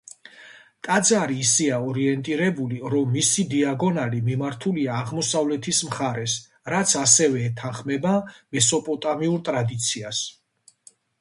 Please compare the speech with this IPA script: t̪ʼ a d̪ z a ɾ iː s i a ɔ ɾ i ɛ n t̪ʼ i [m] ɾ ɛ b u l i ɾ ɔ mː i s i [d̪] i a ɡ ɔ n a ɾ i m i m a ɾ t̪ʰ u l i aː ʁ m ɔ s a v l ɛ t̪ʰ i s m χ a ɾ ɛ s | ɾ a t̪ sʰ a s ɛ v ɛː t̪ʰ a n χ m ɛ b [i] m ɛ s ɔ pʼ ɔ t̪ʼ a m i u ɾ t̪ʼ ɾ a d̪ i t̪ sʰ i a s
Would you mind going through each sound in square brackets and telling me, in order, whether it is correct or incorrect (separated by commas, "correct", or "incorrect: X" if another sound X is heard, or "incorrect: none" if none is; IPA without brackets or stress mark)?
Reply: incorrect: none, correct, incorrect: a